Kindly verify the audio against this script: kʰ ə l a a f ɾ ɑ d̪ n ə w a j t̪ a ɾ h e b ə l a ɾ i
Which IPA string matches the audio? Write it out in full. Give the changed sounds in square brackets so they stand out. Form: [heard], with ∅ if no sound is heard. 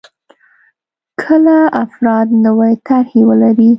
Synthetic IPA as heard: kʰ ə l a a f ɾ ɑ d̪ n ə w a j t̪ a ɾ h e [w] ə l a ɾ i